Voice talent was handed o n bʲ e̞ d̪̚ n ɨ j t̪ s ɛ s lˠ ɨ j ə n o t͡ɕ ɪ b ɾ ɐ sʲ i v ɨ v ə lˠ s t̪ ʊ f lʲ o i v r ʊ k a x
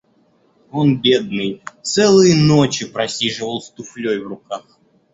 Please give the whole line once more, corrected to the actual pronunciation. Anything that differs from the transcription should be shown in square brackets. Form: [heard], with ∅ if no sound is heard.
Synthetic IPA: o n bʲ e̞ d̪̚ n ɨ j t̪ s ɛ [∅] lˠ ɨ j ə n o t͡ɕ ɪ [p] ɾ ɐ sʲ i [ʐ] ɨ v ə lˠ s t̪ ʊ f lʲ o [j] v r ʊ k a x